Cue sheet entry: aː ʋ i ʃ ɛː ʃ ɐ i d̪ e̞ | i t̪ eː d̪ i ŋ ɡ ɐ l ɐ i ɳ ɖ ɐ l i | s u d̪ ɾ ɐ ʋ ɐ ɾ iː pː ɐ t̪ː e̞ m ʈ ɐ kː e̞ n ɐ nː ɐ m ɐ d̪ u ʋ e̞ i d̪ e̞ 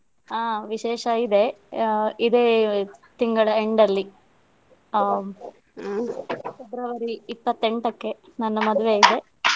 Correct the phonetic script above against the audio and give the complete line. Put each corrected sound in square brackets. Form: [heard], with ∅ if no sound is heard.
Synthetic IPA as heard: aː ʋ i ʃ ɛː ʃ ɐ i d̪ e̞ | i [d̪] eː [t̪] i ŋ ɡ ɐ [ɭ] ɐ [e] ɳ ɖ ɐ [lː] i | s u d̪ ɾ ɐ ʋ ɐ ɾ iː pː ɐ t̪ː e̞ [ɳ] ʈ ɐ kː e̞ n ɐ nː ɐ m ɐ d̪ u ʋ e̞ i d̪ e̞

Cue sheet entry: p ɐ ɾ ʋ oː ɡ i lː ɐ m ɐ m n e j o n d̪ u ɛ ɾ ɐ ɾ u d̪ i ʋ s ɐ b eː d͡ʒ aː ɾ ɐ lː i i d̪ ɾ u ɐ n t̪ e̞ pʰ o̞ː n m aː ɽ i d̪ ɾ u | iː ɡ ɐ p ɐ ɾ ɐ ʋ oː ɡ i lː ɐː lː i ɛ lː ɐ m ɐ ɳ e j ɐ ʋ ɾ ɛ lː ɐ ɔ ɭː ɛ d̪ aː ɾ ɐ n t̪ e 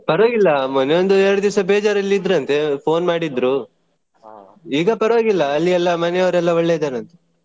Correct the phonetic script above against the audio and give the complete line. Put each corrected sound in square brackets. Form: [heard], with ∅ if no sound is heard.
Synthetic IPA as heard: p ɐ ɾ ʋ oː ɡ i lː ɐ m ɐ [∅] n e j o n d̪ u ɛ ɾ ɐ [ɽ] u d̪ i ʋ s ɐ b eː d͡ʒ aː ɾ ɐ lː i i d̪ ɾ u ɐ n t̪ e̞ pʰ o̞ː n m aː ɽ i d̪ ɾ u | iː ɡ ɐ p ɐ ɾ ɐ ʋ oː ɡ i lː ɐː lː i ɛ lː ɐ m ɐ [n] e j ɐ ʋ ɾ ɛ lː ɐ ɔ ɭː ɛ d̪ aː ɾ ɐ n t̪ e

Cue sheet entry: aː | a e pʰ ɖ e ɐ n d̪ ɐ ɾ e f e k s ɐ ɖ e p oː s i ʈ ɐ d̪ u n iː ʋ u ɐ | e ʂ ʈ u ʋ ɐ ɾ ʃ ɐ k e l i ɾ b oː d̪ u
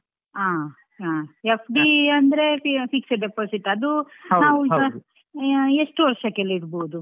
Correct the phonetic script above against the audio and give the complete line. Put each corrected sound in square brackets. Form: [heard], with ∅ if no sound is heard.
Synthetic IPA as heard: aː | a e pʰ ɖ [i] ɐ n d̪ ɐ ɾ e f [i] k s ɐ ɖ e p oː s i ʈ ɐ d̪ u n [aː] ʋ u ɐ | e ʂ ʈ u ʋ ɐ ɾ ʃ ɐ k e l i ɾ b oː d̪ u

